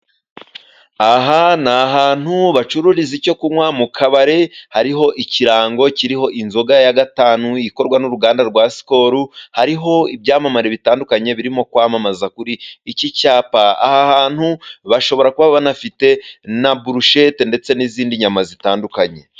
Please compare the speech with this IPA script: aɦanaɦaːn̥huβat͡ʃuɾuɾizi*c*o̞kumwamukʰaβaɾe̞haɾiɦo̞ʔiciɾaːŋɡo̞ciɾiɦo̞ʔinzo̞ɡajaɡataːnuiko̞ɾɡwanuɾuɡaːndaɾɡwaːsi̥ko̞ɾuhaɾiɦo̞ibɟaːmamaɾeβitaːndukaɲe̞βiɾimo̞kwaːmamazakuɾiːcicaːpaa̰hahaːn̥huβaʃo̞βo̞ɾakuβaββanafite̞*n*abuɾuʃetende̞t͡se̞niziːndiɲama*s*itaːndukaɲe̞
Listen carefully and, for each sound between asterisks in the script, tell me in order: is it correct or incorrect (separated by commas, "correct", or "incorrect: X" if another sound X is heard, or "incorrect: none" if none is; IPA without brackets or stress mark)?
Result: correct, correct, incorrect: z